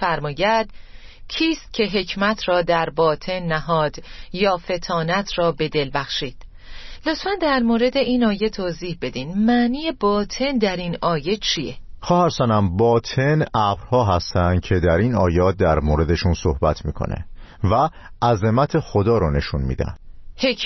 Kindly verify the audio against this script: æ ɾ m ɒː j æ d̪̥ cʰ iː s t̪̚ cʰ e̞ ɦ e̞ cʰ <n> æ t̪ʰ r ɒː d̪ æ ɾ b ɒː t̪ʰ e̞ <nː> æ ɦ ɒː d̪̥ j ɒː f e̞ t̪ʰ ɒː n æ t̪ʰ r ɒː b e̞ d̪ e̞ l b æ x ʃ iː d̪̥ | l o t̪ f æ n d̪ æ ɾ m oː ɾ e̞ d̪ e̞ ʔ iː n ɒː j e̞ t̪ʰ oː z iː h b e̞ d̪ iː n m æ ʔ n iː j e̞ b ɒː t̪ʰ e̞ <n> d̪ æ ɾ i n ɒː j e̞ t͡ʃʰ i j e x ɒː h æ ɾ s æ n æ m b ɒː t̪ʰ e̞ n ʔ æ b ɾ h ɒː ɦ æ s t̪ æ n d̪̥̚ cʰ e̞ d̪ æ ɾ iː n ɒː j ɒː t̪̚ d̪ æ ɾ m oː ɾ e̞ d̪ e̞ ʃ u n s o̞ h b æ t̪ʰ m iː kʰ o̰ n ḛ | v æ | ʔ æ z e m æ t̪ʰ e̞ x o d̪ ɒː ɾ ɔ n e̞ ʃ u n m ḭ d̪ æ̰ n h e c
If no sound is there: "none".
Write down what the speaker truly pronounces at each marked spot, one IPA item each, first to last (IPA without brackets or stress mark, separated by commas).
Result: m, nː, n